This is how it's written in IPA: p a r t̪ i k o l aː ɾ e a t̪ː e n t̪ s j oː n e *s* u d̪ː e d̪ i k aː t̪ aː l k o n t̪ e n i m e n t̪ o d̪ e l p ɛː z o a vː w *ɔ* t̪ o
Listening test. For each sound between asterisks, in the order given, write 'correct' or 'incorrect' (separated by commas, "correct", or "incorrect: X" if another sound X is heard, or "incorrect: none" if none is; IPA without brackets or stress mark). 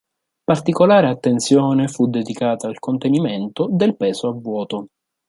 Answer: incorrect: f, incorrect: ɔː